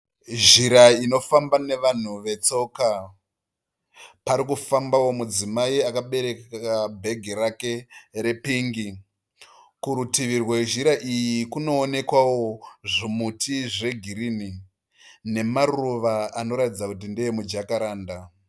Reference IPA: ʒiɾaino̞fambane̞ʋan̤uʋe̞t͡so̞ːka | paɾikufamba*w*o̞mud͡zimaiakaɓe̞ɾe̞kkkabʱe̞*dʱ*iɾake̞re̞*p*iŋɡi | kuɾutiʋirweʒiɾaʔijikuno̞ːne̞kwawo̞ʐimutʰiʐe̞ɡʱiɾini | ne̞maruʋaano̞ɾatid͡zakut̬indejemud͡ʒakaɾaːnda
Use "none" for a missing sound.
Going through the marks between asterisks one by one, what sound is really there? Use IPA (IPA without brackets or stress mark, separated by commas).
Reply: w, ɡʱ, p